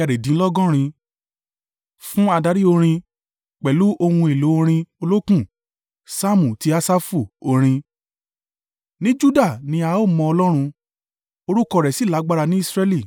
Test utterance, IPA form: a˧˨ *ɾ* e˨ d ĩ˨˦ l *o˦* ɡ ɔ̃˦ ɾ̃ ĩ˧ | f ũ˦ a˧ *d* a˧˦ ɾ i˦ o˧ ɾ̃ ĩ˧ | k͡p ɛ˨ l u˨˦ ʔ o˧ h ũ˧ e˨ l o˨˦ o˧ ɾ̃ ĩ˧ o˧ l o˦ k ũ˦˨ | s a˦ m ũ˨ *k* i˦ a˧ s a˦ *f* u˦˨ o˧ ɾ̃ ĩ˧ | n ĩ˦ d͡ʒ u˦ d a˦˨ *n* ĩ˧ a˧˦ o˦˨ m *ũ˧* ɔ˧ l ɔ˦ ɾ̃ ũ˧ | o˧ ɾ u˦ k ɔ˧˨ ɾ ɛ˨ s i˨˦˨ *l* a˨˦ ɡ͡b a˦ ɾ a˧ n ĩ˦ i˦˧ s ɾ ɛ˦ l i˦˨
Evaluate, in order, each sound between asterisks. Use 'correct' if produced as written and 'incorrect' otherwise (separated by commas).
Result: correct, incorrect, correct, incorrect, correct, correct, incorrect, correct